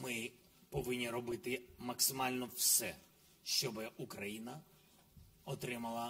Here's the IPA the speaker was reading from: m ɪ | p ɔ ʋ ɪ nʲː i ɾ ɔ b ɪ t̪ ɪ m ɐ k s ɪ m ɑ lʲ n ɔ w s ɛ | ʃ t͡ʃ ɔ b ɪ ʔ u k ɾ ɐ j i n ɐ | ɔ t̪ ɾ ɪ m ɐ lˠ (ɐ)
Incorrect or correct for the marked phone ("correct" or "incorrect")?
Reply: correct